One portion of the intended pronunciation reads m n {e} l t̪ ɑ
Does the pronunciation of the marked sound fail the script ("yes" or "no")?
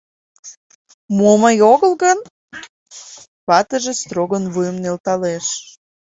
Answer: no